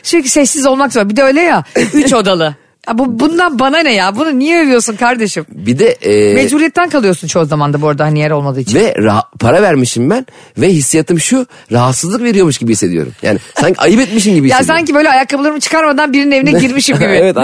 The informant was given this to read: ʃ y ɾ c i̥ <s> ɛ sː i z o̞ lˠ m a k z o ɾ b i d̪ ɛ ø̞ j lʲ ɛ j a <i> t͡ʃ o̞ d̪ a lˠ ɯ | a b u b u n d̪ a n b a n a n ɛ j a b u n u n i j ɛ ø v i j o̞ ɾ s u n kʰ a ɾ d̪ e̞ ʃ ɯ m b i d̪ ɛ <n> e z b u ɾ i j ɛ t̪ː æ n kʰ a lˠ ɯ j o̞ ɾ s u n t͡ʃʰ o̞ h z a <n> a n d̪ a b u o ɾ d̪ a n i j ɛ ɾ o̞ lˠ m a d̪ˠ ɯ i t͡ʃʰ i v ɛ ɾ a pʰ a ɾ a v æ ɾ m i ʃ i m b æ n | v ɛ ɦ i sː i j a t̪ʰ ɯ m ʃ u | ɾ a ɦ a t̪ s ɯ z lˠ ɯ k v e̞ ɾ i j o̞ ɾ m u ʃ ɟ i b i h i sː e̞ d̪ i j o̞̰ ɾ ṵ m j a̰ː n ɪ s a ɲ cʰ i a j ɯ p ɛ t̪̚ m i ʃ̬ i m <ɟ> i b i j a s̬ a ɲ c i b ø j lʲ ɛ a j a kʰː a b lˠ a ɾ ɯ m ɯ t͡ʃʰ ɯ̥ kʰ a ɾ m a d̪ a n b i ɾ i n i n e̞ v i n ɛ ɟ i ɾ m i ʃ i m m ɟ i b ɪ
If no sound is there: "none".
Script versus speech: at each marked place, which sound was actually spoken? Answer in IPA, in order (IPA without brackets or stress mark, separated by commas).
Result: s, y, m, m, ɟ